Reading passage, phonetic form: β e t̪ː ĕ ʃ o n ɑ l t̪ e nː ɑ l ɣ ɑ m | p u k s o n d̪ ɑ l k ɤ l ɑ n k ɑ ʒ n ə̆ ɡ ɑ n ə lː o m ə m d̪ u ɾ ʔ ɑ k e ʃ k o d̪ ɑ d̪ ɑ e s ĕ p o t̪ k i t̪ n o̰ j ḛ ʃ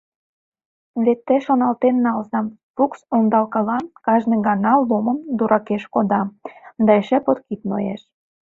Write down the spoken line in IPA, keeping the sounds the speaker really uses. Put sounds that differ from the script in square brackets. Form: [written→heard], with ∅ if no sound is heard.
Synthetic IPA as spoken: β e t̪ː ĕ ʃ o n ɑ l t̪ e nː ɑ l [ɣ→z] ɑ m | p u k s o n d̪ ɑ l k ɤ l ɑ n k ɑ ʒ n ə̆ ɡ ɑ n [ə→ɑ] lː o m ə m d̪ u ɾ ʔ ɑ k e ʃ k o d̪ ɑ d̪ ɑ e [s→ʃ] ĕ p o t̪ k i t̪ n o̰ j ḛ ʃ